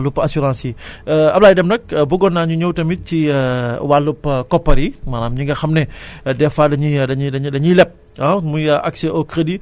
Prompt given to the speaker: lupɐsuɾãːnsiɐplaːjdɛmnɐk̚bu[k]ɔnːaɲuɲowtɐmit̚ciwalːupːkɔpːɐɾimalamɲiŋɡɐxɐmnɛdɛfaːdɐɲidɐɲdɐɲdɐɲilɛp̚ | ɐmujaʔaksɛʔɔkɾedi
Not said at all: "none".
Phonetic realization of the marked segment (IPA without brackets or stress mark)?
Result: ɡ